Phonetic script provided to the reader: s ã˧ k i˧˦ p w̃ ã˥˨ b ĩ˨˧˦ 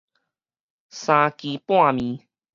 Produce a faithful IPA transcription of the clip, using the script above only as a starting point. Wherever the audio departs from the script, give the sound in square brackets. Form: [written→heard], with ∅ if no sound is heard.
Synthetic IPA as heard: s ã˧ k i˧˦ p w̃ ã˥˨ [b→m] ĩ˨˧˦